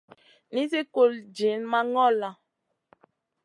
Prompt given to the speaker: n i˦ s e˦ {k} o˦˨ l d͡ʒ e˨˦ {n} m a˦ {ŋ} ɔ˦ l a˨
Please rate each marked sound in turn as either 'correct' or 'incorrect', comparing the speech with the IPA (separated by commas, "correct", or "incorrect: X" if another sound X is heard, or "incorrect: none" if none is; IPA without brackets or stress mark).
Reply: correct, correct, correct